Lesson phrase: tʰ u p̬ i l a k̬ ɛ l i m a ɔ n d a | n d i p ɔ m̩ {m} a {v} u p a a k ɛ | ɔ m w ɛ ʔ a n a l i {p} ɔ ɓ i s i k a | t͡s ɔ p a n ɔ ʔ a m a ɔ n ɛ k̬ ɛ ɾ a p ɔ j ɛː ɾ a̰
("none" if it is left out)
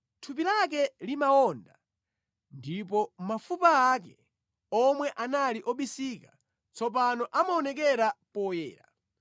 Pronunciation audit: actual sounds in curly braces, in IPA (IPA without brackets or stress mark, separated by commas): m, f, ʔ